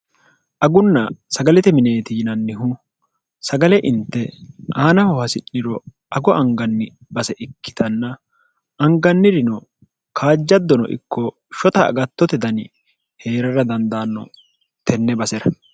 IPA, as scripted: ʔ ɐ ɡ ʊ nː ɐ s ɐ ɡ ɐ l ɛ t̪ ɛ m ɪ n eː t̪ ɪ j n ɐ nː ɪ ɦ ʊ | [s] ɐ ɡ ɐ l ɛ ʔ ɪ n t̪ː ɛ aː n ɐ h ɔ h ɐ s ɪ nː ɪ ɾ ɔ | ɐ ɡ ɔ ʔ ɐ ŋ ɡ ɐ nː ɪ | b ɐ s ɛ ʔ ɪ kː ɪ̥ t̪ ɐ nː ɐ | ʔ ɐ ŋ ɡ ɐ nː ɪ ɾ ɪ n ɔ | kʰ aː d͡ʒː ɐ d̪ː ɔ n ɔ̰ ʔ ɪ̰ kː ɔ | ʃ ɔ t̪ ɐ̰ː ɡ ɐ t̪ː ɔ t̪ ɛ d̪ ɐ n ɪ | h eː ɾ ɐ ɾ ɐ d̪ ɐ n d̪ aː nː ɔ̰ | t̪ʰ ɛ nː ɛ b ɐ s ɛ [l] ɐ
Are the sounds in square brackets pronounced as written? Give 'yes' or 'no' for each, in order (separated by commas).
yes, no